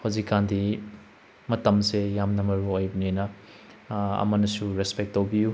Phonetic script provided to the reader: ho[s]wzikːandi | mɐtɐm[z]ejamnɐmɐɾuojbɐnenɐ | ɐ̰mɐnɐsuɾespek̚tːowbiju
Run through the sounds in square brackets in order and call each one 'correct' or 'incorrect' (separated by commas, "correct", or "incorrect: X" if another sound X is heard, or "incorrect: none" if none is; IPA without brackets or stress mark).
incorrect: none, incorrect: s